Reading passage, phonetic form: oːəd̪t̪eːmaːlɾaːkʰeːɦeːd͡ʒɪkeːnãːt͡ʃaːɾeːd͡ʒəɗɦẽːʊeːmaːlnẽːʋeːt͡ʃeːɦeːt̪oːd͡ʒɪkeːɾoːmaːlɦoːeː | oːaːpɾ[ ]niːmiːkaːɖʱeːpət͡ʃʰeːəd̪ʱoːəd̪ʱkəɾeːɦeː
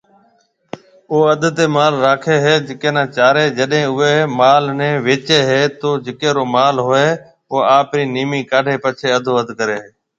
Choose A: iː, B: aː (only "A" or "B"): A